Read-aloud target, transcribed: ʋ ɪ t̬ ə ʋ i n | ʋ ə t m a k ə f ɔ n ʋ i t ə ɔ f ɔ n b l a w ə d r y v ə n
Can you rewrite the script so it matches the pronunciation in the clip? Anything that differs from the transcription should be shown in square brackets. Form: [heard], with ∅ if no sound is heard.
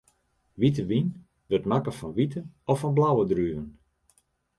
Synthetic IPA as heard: ʋ [i] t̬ ə ʋ i n | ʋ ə t m a k ə f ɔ n ʋ i t ə ɔ f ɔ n b l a w ə d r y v ə n